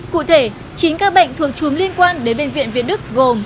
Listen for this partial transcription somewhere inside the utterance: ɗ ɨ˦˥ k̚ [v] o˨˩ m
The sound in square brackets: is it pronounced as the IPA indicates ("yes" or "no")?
no